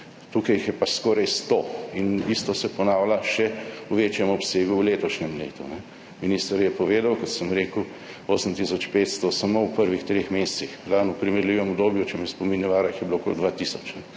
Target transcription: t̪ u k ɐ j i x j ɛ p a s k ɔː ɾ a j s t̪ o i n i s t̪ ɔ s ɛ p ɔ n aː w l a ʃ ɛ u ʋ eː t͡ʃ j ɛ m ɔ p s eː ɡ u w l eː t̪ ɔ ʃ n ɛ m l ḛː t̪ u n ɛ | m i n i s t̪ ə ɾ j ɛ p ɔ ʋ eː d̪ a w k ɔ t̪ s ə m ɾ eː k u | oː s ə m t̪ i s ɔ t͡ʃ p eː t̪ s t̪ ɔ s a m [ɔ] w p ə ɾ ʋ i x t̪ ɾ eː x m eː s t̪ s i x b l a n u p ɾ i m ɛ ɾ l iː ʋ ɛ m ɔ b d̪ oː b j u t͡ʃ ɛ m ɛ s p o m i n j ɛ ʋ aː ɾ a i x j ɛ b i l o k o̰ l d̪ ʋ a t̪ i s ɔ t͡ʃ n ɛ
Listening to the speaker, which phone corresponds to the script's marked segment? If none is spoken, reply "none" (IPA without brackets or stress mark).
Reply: o